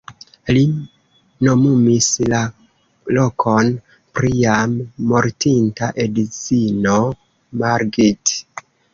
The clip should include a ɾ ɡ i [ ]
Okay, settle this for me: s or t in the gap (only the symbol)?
t